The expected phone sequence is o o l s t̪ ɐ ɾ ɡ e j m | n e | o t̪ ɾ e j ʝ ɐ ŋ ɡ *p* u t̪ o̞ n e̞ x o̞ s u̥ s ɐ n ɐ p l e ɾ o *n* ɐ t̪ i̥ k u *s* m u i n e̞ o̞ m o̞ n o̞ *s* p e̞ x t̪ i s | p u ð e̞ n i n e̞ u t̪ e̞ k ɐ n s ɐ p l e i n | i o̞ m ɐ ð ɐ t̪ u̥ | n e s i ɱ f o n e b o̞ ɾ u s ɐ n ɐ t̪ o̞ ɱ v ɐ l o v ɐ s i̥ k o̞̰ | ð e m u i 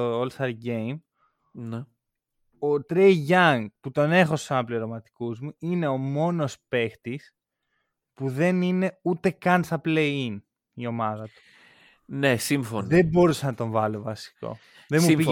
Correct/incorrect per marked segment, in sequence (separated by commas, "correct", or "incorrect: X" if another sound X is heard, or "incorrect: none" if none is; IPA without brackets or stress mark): correct, incorrect: m, incorrect: z, correct